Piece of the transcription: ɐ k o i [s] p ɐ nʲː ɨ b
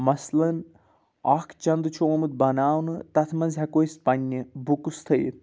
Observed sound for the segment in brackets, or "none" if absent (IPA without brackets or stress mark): s